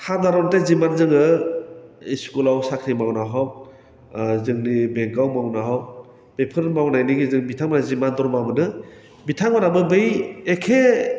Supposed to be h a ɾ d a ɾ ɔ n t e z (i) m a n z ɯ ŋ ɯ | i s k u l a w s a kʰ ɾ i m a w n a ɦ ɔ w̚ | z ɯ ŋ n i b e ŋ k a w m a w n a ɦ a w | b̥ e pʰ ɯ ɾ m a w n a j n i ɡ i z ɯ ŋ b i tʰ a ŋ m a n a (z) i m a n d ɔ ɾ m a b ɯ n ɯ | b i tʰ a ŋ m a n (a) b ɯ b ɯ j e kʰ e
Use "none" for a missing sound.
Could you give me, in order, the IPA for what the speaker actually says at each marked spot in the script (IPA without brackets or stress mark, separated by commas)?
i, z, a